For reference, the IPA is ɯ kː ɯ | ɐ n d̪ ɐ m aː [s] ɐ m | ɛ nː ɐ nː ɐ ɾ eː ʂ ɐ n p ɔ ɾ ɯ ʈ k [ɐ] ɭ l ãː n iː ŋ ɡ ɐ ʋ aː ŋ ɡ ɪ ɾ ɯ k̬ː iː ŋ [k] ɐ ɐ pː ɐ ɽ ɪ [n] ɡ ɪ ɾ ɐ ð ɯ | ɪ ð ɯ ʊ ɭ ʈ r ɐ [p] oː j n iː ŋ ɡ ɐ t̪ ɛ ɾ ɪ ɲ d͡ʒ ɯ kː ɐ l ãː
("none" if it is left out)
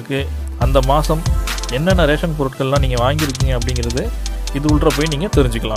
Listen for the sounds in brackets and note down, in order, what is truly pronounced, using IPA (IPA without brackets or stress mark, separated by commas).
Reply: s, ɐ, ɡ, ŋ, p